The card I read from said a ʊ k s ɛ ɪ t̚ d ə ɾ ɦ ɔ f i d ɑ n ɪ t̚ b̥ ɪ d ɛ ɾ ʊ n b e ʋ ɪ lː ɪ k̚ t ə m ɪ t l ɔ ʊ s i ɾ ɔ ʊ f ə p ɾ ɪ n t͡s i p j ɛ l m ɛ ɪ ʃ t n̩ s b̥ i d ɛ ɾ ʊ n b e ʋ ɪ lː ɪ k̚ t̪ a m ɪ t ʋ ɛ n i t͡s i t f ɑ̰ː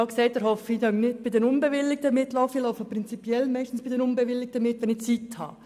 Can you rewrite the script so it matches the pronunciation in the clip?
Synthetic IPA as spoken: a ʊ k s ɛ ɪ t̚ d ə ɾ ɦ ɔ f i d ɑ n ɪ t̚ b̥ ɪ d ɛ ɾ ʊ n b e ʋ ɪ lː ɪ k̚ t ə m ɪ t l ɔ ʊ f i l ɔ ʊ f ə p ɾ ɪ n t͡s i p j ɛ l m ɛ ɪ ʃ t n̩ s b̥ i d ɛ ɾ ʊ n b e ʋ ɪ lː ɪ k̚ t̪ ə m ɪ t ʋ ɛ n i t͡s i t h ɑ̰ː